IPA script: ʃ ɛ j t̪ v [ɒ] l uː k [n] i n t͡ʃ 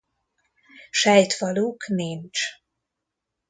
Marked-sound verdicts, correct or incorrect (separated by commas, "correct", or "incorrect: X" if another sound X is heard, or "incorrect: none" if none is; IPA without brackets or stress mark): correct, correct